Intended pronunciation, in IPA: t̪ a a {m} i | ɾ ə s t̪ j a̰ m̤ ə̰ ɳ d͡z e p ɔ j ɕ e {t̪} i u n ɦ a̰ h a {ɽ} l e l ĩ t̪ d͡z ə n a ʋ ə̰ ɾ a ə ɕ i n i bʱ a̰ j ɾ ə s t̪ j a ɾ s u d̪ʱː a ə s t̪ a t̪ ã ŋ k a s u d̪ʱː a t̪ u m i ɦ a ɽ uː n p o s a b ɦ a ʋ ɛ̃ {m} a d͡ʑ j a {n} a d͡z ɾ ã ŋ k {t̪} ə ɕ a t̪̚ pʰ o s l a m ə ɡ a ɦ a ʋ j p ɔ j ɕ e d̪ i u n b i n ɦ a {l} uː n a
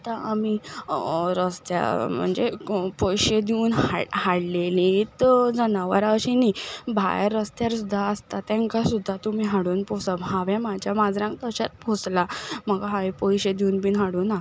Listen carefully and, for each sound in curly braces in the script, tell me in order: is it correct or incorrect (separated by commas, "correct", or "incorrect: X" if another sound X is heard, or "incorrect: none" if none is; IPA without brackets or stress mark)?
correct, incorrect: d̪, correct, correct, incorrect: m, correct, incorrect: ɽ